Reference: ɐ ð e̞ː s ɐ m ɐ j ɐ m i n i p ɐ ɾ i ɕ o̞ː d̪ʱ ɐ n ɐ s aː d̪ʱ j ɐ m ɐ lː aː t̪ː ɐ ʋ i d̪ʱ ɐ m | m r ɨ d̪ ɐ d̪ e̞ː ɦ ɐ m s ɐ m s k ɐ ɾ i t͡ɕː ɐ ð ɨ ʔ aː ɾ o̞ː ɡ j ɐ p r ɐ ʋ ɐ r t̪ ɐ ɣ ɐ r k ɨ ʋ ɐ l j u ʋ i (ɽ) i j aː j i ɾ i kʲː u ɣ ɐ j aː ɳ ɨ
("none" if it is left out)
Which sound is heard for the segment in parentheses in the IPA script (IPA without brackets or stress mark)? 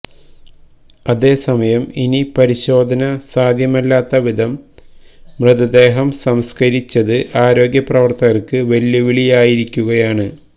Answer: ɭ